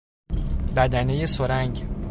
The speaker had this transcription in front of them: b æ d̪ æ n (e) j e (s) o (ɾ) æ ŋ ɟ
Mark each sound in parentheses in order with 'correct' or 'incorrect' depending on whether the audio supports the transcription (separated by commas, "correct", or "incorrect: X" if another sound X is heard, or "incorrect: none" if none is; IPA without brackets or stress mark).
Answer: correct, correct, correct